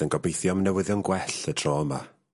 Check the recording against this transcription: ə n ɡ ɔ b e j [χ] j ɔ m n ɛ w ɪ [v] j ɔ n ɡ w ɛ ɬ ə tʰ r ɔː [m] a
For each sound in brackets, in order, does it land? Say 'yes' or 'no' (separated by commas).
no, no, yes